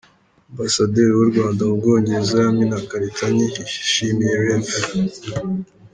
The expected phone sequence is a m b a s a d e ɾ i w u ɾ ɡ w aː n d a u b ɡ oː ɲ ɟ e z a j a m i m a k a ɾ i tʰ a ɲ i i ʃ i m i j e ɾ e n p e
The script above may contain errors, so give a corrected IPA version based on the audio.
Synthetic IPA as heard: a m b a s a d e ɾ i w u ɾ ɡ w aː n d a u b ɡ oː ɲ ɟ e z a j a m i n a k a ɾ i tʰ a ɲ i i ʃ i m i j e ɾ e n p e